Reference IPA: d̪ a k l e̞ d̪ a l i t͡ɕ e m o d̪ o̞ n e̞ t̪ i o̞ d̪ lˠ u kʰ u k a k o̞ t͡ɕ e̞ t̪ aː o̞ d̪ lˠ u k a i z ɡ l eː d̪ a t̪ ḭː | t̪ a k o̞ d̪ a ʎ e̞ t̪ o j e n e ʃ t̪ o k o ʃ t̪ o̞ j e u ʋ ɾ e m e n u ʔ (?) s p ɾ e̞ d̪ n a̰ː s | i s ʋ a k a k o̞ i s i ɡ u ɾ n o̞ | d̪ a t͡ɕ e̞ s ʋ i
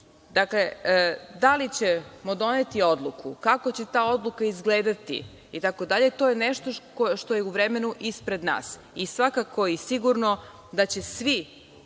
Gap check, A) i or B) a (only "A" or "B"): A